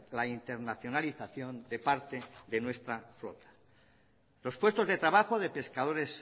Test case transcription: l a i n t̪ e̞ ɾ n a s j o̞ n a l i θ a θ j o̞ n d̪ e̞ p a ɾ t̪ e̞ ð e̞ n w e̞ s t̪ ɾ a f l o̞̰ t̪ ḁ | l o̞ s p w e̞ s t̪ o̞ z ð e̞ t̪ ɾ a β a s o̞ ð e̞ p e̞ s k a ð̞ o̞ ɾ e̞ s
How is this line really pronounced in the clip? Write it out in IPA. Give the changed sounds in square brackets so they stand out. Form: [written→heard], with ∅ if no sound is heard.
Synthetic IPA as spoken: l a i n t̪ e̞ ɾ n a [s→θ] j o̞ n a l i θ a θ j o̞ n d̪ e̞ p a ɾ t̪ e̞ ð e̞ n w e̞ s t̪ ɾ a f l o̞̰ t̪ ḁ | l o̞ s p w e̞ s t̪ o̞ z ð e̞ t̪ ɾ a β a [s→x] o̞ ð e̞ p e̞ s k a ð̞ o̞ ɾ e̞ s